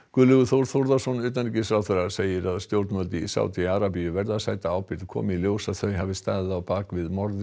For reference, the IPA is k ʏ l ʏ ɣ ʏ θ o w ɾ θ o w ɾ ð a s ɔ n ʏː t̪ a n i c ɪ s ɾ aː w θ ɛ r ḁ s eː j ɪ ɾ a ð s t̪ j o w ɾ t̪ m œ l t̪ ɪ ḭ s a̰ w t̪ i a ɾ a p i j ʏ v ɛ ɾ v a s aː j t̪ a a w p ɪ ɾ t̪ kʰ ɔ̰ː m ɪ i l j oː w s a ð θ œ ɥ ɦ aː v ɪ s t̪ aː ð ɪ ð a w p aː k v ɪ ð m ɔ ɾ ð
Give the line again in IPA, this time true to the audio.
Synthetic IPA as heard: k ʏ l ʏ ɣ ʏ θ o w ɾ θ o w ɾ ð a s ɔ n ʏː t̪ a n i c ɪ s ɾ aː w θ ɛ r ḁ s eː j ɪ ɾ a ð s t̪ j o w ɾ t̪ m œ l t̪ ɪ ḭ s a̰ w t̪ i a ɾ a p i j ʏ v ɛ ɾ ð a s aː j t̪ a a w p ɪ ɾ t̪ kʰ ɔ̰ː m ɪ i l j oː w s a ð θ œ ɥ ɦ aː v ɪ s t̪ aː ð ɪ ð a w p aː k v ɪ ð m ɔ ɾ ð